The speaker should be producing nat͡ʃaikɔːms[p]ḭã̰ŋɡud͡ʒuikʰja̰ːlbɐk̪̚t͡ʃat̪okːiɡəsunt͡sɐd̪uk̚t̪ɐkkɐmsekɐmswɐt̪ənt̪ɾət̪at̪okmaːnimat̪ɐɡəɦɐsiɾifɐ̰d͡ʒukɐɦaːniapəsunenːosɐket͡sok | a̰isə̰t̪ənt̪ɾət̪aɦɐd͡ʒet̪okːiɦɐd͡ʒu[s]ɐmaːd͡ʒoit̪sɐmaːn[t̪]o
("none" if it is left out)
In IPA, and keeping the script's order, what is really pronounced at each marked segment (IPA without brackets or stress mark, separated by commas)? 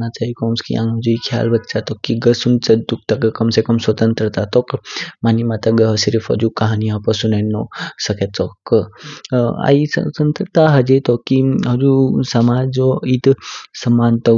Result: k, s, t̪